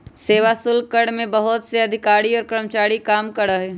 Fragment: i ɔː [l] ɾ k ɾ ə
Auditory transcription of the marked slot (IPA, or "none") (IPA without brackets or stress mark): none